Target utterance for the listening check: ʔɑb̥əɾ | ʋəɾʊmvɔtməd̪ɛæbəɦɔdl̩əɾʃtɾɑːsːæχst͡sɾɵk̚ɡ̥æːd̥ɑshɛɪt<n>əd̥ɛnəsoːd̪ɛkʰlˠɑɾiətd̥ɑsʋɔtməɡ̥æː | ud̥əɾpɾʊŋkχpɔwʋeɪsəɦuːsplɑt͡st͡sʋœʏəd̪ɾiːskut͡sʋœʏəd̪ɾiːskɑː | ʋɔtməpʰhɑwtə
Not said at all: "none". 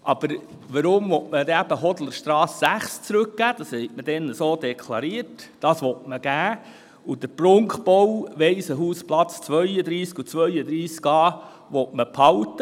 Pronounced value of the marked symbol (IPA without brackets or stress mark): m